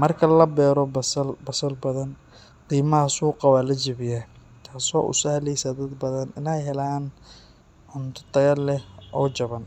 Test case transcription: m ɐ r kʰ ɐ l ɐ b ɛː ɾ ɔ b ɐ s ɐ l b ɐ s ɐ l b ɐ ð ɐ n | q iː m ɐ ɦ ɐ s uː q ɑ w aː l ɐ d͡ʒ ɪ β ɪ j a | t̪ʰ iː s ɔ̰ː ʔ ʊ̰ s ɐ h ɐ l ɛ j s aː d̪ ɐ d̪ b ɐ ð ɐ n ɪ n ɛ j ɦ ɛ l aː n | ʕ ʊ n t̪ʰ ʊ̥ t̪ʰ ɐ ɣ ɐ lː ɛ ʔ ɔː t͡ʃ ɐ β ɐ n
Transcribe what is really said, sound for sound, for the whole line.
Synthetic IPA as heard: m ɐ r kʰ ɐ l ɐ b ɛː ɾ ɔ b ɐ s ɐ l b ɐ s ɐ l b ɐ ð ɐ n | q iː m ɐ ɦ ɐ s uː q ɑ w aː l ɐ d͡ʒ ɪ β ɪ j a | t̪ʰ aː s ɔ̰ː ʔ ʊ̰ s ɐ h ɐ l ɛ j s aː d̪ ɐ d̪ b ɐ ð ɐ n ɪ n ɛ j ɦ ɛ l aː n | ʕ ʊ n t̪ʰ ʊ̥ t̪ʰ ɐ ɣ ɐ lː ɛ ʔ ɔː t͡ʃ ɐ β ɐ n